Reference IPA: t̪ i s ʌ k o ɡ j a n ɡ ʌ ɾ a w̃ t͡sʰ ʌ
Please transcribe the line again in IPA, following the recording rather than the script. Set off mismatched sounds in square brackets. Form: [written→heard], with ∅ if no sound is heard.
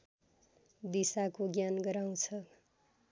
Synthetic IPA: [t̪→d̪] i s [ʌ→a] k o ɡ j a n ɡ ʌ ɾ a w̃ t͡sʰ ʌ